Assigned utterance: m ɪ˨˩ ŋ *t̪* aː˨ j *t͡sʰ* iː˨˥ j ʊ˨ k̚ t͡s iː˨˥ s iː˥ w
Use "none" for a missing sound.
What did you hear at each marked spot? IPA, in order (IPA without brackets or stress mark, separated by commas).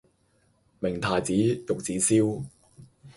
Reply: t̪ʰ, t͡s